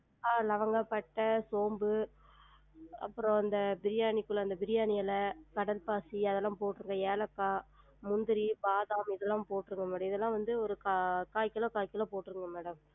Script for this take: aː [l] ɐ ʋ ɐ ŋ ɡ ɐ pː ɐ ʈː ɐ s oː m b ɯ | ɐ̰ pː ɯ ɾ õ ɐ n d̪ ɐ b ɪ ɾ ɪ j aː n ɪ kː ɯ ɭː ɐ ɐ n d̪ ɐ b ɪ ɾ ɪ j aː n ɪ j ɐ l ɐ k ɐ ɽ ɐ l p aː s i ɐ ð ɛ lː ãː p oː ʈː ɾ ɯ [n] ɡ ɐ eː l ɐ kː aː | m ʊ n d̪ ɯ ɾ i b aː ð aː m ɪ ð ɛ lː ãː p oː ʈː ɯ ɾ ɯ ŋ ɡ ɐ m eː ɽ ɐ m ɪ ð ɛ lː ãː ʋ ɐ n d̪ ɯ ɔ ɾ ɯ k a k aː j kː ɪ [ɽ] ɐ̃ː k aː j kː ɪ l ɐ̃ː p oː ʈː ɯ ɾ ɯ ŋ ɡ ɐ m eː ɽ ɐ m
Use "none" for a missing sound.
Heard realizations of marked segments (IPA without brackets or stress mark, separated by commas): l, ŋ, l